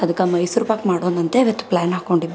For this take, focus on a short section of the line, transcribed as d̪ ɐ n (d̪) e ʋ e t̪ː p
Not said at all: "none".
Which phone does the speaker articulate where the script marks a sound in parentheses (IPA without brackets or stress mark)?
t̪